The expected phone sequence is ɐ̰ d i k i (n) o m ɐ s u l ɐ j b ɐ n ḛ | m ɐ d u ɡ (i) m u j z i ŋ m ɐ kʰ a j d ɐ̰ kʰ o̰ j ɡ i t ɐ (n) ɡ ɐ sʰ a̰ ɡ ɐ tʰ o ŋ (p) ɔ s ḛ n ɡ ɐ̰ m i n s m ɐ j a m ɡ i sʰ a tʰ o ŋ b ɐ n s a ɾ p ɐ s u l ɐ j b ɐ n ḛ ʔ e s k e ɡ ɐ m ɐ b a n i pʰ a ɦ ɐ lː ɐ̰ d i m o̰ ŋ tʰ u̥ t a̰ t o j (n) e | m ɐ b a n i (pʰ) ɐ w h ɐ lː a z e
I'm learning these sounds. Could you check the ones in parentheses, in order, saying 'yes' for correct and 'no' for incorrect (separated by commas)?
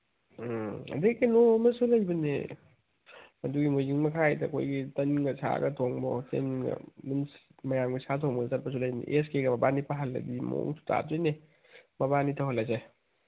yes, yes, yes, no, yes, no